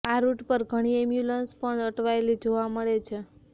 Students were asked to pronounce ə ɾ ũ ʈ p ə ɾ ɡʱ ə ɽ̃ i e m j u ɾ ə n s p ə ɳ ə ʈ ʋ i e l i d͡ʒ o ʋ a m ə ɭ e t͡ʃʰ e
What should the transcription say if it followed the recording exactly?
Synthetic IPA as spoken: a ɾ u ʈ p ə ɾ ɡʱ ə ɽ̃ i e m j u l ə n s p ə ɳ ə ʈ ʋ a e l i d͡ʒ o ʋ a m ə ɭ e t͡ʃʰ e